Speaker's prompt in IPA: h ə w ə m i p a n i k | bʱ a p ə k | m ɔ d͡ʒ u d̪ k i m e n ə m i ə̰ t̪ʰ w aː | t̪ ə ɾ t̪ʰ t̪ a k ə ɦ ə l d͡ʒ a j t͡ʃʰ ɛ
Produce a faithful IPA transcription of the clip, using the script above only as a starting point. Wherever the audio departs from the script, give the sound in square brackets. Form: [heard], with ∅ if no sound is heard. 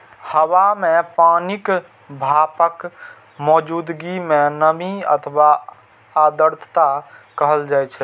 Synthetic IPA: h ə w [a] m [e] p a n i k | bʱ a p ə k | m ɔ d͡ʒ u d̪ [ɡ] i m e n ə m i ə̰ t̪ʰ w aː | [d̪] ə ɾ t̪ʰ t̪ a k ə ɦ ə l d͡ʒ a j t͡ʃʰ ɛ